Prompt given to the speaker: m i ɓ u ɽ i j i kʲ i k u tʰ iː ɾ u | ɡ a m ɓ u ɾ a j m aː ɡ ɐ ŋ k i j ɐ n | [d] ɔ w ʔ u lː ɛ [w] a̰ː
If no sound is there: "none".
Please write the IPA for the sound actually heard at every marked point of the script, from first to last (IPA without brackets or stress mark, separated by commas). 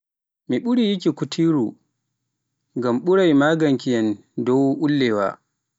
d, w